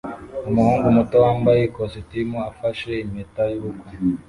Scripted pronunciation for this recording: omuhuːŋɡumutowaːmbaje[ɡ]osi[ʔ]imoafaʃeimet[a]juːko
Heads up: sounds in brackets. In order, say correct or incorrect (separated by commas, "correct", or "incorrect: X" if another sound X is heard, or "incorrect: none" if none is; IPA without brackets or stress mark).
incorrect: k, incorrect: t, correct